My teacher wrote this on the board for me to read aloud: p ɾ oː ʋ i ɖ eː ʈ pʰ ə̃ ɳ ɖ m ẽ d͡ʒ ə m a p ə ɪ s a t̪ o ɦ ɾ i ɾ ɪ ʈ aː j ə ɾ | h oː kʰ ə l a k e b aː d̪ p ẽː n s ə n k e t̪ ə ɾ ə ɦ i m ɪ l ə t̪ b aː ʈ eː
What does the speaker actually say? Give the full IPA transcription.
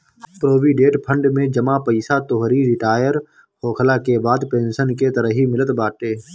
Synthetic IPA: p ɾ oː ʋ i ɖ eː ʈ pʰ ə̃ ɳ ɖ m ẽ d͡ʒ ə m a p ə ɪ s a t̪ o ɦ ɾ i ɾ ɪ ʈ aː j ə ɾ | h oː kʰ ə l a k e b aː d̪ p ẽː n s ə n k e t̪ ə ɾ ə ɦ i m ɪ l ə t̪ b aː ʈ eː